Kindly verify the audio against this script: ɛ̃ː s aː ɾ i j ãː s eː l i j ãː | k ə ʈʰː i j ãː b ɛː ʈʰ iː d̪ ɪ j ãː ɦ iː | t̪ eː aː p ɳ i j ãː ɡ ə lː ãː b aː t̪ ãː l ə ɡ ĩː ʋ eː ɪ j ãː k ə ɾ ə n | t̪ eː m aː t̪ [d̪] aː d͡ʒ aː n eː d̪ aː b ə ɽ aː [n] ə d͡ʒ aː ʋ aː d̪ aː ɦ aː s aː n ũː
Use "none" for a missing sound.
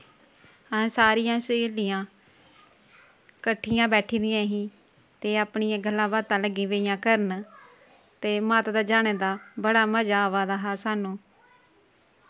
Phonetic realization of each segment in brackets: d̪, m

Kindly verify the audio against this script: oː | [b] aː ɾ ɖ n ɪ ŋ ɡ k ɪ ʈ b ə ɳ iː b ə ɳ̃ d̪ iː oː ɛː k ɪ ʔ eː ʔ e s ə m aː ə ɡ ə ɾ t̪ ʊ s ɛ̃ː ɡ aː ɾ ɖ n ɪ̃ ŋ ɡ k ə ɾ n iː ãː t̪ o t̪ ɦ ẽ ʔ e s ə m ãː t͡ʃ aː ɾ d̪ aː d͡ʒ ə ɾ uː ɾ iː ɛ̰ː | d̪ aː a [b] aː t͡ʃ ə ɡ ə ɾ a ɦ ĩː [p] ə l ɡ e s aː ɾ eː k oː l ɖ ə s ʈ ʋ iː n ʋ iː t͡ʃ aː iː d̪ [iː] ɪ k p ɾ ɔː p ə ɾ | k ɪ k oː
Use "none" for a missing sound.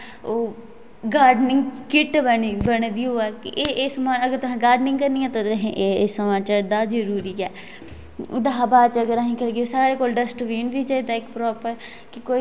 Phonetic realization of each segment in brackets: ɡ, b, k, aː

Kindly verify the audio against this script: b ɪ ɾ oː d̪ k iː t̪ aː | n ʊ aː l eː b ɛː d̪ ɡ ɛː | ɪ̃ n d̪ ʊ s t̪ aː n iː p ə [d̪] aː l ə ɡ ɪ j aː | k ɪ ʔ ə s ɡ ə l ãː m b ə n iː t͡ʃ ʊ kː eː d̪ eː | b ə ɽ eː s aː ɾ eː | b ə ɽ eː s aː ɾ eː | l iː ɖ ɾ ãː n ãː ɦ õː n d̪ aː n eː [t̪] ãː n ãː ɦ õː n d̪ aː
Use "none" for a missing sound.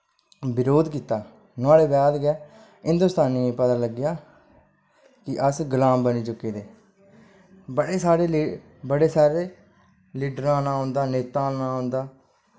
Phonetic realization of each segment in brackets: t̪, t̪

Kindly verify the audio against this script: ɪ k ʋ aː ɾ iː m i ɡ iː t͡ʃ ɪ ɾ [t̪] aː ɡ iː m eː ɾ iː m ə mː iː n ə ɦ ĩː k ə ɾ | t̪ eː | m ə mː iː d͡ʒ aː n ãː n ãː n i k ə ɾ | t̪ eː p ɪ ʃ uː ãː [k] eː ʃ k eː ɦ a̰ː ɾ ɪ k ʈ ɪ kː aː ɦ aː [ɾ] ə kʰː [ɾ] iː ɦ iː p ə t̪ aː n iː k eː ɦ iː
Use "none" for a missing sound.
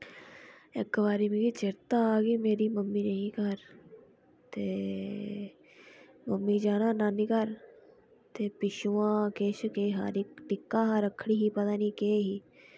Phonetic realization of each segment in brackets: t̪, k, ɾ, ɽ

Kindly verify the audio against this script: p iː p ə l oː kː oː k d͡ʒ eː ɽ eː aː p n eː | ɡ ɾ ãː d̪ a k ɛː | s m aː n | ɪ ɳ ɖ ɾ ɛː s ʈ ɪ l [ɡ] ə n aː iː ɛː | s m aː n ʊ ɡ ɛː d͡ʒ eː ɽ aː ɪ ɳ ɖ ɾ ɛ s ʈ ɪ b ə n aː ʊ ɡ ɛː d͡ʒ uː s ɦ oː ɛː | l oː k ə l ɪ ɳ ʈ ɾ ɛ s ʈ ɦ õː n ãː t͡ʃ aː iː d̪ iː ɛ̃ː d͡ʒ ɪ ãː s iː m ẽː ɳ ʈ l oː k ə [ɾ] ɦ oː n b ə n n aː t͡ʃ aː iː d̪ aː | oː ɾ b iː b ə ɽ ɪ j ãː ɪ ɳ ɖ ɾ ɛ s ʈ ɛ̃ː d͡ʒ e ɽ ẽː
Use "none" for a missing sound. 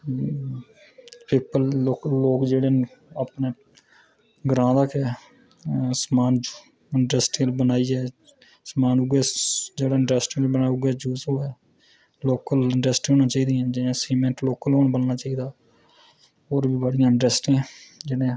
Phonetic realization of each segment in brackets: b, l

